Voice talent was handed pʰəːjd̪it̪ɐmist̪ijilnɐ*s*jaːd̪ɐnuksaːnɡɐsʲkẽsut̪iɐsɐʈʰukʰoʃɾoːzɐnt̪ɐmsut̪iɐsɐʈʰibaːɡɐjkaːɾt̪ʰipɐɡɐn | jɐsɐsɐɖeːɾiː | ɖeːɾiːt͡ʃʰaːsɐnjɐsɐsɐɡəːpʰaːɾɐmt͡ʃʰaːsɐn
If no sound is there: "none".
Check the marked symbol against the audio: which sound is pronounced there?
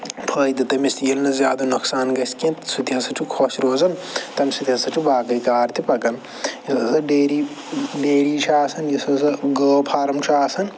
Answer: z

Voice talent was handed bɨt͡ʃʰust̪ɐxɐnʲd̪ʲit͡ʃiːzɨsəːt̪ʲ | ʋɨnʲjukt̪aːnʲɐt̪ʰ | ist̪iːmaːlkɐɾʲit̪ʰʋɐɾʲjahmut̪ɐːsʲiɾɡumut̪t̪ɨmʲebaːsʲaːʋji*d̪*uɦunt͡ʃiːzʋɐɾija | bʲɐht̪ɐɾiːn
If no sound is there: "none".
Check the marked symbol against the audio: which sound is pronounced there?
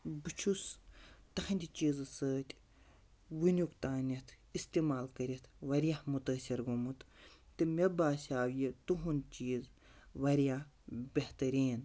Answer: t̪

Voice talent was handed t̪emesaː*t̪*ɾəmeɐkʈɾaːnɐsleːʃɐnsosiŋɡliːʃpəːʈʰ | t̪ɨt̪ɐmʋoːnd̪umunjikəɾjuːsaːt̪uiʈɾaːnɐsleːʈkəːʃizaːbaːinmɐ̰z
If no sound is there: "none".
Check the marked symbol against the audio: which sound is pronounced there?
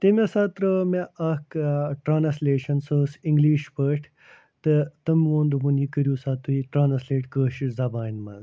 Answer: t̪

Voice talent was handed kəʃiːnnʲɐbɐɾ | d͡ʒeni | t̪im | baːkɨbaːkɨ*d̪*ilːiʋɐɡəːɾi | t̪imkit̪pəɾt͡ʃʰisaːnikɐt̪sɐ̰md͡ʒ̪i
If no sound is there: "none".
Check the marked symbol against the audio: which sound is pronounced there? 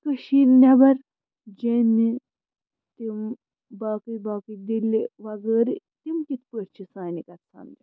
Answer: d̪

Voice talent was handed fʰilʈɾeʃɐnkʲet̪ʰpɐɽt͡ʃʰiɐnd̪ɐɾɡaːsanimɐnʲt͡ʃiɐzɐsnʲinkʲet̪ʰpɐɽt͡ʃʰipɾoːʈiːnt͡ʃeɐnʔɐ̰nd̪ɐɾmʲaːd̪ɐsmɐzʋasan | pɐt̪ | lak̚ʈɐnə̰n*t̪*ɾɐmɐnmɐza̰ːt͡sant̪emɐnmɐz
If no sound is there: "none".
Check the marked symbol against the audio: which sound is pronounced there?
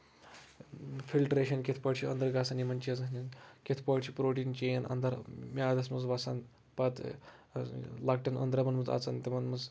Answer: d̪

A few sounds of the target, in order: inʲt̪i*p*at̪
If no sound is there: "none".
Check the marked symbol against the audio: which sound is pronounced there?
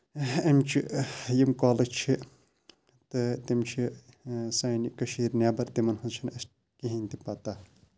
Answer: p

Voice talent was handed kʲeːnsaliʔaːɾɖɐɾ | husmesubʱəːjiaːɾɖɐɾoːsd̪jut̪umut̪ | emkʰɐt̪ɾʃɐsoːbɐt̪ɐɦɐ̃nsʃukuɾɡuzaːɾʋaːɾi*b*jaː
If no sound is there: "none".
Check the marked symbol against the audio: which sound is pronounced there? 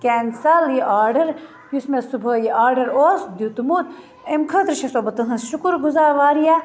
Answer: none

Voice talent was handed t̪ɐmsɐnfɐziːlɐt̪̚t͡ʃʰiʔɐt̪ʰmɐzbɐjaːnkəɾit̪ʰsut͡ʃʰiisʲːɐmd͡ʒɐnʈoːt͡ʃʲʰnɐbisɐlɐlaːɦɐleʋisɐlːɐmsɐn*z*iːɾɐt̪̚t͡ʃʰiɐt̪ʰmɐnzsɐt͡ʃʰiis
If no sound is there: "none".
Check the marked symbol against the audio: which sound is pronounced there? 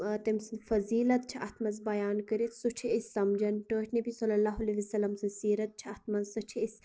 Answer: s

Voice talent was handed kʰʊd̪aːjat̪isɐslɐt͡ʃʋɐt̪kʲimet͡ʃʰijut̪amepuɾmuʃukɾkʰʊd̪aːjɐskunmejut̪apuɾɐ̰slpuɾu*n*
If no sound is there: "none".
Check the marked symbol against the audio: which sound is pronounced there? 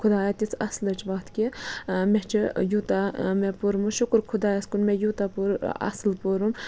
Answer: m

